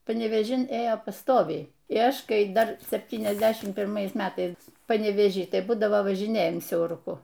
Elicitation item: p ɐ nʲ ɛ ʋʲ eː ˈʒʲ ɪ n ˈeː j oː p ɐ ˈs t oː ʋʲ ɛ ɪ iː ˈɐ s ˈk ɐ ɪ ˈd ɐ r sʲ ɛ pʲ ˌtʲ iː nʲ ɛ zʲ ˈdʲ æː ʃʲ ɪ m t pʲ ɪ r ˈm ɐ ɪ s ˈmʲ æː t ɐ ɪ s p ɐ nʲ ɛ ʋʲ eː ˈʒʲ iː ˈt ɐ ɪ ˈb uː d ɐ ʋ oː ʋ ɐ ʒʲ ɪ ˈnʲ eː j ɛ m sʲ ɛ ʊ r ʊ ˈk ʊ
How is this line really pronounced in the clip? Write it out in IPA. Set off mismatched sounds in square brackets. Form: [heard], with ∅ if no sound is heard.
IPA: p ɐ nʲ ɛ ʋʲ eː ˈʒʲ ɪ n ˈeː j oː p ɐ ˈs t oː ʋʲ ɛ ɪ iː ˈɐ [ʃ] ˈk ɐ ɪ ˈd ɐ r sʲ ɛ pʲ ˌtʲ iː nʲ ɛ zʲ ˈdʲ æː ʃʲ ɪ m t pʲ ɪ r ˈm ɐ ɪ s ˈmʲ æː t ɐ ɪ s p ɐ nʲ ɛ ʋʲ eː ˈʒʲ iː ˈt ɐ ɪ ˈb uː d ɐ ʋ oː ʋ ɐ ʒʲ ɪ ˈnʲ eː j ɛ m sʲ ɛ ʊ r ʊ ˈk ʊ